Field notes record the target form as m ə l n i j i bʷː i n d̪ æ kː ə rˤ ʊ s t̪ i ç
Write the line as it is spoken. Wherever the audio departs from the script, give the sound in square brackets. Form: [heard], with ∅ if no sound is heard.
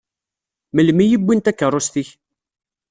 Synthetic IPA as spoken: m ə l [m] i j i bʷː i n [t̪] æ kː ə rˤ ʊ s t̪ i ç